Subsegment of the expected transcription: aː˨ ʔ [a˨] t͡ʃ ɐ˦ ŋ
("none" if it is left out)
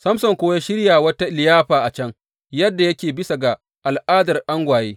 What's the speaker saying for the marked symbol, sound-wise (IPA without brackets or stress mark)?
a˨